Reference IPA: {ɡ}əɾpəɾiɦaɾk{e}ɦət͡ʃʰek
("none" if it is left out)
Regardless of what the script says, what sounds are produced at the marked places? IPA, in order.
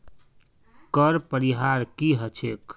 k, i

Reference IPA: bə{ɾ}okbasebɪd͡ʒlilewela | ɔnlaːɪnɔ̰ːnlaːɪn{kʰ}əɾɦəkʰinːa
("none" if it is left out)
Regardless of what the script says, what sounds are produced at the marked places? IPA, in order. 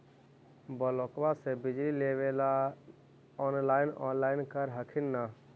l, k

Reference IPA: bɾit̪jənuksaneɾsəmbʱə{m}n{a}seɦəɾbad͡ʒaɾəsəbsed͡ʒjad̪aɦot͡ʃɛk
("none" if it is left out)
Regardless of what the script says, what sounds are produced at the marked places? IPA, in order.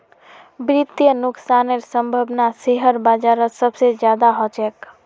b, a

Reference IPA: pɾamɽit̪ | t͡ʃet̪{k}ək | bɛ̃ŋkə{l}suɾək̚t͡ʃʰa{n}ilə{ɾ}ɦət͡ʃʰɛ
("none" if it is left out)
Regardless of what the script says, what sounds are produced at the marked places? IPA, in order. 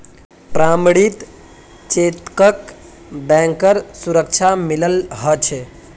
k, ɾ, m, l

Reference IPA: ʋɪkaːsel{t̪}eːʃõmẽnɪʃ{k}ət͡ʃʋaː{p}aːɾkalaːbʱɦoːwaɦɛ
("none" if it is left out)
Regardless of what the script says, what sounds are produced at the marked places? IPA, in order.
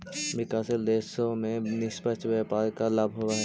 d̪, p, p

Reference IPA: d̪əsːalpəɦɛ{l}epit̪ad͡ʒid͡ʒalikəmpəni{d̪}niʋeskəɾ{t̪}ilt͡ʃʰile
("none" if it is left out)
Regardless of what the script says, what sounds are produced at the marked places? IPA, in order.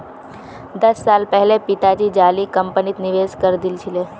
l, t̪, d̪

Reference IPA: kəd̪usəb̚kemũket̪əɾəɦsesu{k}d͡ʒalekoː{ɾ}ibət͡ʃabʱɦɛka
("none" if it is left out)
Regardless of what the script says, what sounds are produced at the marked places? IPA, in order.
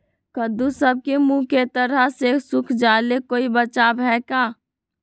kʰ, none

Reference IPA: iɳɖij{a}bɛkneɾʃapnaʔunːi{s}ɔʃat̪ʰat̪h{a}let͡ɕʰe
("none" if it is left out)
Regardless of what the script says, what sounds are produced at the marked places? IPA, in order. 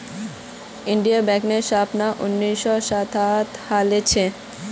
a, ʃ, a

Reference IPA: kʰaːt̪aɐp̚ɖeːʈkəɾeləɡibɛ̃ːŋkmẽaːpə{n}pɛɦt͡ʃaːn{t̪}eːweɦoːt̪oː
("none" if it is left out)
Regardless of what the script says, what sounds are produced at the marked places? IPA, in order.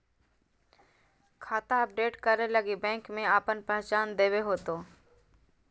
n, d̪

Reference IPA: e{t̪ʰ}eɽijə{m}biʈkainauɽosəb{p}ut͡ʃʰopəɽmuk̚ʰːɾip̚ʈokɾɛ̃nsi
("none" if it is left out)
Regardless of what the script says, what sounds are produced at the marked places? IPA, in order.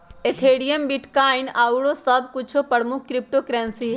t̪ʰ, m, k

